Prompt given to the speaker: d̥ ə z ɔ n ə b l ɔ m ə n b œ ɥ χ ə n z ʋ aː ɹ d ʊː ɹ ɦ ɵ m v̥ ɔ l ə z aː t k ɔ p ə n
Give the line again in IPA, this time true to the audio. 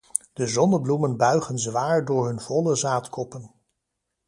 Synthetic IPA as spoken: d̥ ə z ɔ n ə b l u m ə n b œ ɥ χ ə n z ʋ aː ɹ d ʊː ɹ ɦ ɵ n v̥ ɔ l ə z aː t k ɔ p ə n